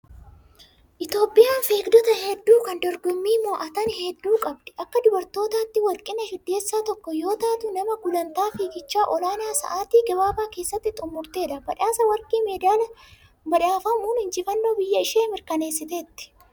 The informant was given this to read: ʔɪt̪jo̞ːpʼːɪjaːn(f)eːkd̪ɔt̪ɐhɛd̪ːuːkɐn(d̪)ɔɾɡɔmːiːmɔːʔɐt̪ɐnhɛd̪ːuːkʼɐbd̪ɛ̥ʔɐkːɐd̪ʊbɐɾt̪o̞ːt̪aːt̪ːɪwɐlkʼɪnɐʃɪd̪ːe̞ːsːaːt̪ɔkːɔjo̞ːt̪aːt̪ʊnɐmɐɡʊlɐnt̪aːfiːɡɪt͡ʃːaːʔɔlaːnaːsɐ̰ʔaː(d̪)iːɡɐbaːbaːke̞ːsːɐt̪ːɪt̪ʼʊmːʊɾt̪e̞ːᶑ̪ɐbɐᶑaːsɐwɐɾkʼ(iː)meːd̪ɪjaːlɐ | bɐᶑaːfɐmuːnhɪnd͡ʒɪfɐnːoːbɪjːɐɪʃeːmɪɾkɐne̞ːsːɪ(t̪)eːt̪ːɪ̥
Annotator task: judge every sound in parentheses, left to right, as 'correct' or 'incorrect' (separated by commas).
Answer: correct, correct, incorrect, correct, correct